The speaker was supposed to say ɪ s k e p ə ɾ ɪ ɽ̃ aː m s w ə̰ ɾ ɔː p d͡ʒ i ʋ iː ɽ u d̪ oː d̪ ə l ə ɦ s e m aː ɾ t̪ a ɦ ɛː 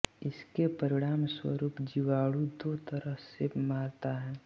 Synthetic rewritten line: ɪ s k e p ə ɾ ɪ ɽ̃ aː m s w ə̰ ɾ uː p d͡ʒ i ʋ aː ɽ u d̪ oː t̪ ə ɾ ə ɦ s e m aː ɾ t̪ a ɦ ɛː